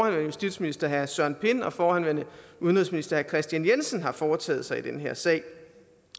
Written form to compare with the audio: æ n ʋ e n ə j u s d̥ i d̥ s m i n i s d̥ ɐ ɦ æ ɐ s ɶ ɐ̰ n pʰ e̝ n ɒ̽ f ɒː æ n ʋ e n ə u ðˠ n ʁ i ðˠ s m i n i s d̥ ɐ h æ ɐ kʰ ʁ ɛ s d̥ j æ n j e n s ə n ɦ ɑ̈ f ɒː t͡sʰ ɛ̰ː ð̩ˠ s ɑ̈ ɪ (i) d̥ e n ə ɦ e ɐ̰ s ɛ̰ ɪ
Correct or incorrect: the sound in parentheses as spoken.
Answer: correct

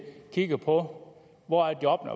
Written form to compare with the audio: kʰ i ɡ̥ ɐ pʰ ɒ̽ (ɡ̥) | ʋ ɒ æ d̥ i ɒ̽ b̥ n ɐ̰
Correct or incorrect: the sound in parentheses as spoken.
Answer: incorrect: none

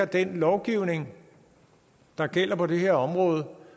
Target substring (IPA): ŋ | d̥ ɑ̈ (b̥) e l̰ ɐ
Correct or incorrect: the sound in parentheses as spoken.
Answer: incorrect: ɡ̥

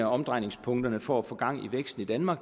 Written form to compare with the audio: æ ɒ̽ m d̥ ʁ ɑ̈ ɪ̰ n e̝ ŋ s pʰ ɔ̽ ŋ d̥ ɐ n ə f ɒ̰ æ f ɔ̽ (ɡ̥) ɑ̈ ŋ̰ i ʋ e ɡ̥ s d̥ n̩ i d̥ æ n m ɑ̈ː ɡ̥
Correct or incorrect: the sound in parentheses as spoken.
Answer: correct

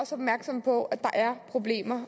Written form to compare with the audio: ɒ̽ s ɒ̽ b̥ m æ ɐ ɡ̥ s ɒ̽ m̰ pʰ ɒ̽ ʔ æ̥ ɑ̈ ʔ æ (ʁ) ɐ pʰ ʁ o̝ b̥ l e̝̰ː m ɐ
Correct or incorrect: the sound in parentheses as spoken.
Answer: incorrect: none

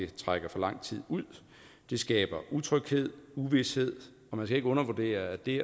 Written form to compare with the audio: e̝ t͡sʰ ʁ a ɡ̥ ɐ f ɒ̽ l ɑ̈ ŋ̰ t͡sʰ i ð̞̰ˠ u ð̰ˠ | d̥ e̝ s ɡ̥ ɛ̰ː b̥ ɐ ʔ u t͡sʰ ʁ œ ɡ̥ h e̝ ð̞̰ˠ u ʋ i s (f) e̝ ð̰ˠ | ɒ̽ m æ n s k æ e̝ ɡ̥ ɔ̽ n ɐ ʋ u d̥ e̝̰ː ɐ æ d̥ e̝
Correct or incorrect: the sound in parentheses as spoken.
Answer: incorrect: h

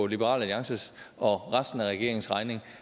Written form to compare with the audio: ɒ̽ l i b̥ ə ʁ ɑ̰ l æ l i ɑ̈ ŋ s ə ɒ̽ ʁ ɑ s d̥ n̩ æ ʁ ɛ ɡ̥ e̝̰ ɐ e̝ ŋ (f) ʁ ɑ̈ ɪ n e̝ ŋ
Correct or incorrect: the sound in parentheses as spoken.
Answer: incorrect: s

